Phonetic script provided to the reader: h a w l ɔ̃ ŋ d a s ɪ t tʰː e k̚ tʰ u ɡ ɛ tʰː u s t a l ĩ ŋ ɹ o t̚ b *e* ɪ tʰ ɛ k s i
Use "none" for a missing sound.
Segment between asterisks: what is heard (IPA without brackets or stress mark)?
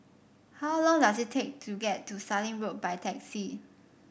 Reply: a